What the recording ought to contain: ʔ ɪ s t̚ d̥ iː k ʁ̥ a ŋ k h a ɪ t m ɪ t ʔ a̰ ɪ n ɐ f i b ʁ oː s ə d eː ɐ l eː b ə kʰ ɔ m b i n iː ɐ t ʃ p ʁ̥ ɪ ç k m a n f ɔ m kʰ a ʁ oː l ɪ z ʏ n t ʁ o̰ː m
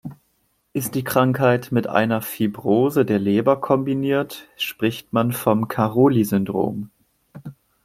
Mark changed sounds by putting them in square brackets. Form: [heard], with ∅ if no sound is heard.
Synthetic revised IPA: ʔ ɪ s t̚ d̥ iː k ʁ̥ a ŋ k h a ɪ t m ɪ t ʔ a̰ ɪ n ɐ f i b ʁ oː [z] ə d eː ɐ l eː b [ɐ] kʰ ɔ m b i n iː ɐ t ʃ p ʁ̥ ɪ ç [t] m a n f ɔ m kʰ a ʁ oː l [i] z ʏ n [d] ʁ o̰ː m